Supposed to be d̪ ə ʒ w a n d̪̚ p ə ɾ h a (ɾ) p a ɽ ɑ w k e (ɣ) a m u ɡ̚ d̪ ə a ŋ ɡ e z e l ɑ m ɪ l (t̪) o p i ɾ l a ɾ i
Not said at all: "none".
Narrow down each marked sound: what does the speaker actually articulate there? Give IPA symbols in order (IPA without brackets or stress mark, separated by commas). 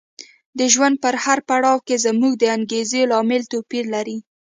ɾ, z, t̪